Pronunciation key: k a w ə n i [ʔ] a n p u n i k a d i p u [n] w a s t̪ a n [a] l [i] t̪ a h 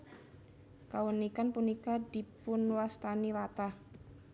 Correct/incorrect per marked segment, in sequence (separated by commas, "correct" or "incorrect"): incorrect, correct, incorrect, incorrect